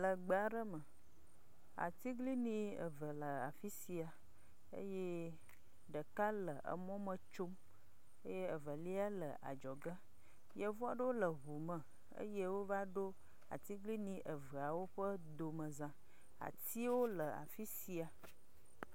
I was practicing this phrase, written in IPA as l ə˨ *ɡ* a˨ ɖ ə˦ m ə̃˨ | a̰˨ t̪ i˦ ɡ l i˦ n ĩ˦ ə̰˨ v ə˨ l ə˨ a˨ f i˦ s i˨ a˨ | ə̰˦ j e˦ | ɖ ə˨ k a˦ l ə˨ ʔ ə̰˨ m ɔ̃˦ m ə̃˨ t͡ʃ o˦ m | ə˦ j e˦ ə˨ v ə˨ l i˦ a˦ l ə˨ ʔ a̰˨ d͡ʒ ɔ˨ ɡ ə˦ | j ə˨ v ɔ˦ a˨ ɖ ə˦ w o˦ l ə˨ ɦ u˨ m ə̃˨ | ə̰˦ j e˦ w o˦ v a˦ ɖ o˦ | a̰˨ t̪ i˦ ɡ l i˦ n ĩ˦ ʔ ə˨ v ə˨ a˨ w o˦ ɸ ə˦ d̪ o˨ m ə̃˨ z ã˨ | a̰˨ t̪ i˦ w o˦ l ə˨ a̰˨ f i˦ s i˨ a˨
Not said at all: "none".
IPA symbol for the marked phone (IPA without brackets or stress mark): ɡ͡b